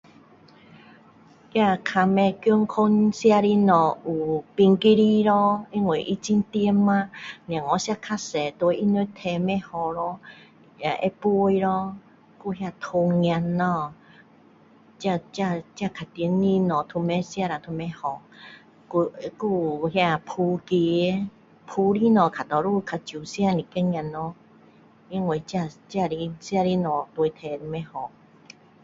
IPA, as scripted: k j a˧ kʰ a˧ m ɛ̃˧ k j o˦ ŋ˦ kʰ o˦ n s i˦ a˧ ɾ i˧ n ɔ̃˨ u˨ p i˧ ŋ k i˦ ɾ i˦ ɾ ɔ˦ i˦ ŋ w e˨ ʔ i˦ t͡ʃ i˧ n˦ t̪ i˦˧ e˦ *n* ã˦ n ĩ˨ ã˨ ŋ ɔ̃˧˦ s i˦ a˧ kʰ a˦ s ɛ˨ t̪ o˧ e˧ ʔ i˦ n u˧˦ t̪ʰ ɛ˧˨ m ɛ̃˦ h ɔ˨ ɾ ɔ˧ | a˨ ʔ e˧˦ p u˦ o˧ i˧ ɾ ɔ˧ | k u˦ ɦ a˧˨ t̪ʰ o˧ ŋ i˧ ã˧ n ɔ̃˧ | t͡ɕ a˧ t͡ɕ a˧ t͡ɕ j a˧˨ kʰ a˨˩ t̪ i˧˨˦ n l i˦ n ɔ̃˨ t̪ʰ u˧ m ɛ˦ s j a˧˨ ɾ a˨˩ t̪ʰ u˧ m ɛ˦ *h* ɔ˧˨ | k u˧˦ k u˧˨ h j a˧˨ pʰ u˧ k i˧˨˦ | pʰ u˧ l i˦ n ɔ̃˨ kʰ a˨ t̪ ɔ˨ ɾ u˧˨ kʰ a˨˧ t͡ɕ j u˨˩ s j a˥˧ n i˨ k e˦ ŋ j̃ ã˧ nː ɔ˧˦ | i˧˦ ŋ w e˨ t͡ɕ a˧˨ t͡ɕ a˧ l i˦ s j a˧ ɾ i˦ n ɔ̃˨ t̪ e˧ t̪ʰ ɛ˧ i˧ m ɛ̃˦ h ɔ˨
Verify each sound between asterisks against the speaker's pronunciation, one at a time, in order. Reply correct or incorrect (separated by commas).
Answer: incorrect, correct